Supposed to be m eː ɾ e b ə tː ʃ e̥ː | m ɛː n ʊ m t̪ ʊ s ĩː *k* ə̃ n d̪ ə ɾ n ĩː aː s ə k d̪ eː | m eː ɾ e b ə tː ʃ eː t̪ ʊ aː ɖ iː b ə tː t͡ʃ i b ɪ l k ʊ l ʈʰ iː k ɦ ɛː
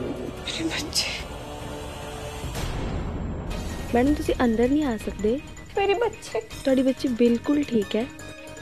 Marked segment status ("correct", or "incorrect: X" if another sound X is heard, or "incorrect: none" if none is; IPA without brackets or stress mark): incorrect: ʔ